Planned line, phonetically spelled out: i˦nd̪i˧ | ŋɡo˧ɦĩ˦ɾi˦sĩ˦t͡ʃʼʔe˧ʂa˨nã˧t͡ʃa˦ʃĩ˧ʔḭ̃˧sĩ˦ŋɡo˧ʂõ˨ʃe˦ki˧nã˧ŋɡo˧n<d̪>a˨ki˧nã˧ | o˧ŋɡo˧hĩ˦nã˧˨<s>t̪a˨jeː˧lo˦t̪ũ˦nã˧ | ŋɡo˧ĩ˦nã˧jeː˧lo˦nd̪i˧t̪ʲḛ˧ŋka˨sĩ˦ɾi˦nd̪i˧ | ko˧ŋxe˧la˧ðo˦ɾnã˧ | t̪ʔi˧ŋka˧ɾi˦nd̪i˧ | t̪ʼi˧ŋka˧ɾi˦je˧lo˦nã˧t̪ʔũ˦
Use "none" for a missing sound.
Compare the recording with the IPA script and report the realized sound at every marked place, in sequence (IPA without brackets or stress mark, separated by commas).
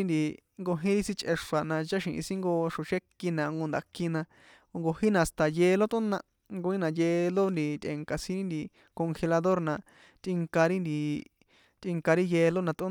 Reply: d̪, s